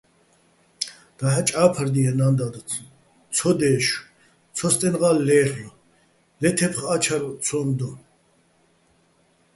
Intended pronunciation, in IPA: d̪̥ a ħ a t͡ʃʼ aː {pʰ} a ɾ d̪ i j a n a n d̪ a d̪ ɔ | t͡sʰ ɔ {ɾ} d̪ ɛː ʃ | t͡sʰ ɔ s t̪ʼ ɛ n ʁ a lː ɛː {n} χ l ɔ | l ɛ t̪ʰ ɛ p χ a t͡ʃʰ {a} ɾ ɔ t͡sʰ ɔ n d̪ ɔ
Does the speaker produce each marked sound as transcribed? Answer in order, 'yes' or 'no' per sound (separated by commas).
yes, no, no, yes